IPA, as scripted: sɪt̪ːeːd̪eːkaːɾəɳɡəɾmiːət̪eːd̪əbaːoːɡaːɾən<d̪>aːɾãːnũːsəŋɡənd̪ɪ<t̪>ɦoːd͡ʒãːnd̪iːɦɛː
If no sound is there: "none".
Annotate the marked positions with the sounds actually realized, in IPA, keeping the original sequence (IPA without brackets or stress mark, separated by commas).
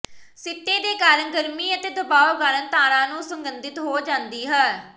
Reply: t̪, t̪